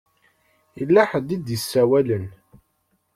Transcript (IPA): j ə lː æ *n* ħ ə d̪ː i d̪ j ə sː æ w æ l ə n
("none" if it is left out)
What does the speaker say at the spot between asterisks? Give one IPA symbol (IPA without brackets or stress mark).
none